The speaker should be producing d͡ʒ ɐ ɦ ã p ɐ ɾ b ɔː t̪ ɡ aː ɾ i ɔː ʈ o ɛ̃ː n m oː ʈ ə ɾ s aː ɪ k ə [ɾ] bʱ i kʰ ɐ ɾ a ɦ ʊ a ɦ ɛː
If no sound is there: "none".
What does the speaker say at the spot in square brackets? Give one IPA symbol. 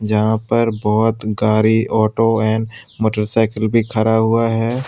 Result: l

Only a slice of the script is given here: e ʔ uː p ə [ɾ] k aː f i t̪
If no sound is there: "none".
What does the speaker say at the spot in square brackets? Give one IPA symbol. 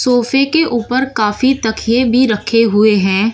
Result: ɾ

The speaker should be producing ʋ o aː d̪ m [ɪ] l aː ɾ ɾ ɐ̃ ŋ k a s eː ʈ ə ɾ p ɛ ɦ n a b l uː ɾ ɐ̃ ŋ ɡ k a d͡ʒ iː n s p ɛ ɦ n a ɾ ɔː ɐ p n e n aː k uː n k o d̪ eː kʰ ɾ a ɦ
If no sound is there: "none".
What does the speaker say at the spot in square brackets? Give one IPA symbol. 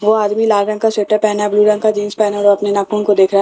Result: i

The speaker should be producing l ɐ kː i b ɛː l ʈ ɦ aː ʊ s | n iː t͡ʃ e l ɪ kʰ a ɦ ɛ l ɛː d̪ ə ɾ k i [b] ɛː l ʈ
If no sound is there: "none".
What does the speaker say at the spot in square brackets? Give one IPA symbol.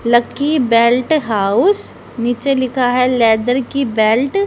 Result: b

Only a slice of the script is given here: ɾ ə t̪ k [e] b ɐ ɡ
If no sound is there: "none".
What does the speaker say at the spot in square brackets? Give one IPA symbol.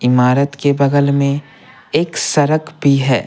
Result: e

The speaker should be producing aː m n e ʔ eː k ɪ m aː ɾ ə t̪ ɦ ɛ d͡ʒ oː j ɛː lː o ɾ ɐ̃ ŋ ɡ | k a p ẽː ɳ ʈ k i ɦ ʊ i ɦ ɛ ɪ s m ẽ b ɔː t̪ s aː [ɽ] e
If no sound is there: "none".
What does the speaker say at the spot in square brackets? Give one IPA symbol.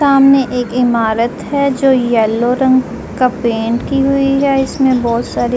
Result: ɾ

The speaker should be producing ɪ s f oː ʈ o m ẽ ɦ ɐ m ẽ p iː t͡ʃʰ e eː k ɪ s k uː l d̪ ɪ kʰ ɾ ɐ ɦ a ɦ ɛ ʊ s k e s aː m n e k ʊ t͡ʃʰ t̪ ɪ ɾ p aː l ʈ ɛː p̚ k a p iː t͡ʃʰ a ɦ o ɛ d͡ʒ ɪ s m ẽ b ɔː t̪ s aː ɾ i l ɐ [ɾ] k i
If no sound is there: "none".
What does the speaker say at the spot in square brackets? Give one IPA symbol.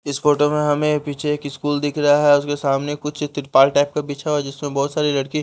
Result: ɽ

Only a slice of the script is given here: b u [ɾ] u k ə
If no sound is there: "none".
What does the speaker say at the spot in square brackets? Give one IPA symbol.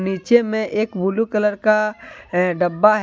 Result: l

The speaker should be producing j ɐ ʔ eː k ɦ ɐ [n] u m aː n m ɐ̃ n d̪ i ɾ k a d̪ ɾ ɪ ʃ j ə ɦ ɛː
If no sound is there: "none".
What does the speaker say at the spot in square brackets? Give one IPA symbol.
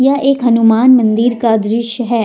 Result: n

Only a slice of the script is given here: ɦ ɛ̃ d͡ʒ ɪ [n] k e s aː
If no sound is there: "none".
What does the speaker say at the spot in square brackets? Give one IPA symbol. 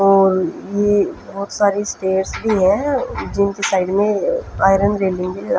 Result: n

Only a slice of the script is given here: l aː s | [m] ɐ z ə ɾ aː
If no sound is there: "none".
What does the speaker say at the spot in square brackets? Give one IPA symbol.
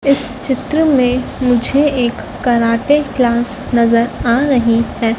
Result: n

